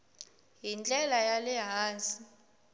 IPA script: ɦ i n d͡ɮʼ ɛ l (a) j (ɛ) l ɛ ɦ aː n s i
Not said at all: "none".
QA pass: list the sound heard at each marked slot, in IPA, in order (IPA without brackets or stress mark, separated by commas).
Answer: a, a